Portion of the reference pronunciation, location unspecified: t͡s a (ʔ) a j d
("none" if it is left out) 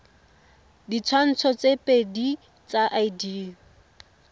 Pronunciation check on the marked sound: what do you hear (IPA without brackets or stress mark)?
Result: ʔ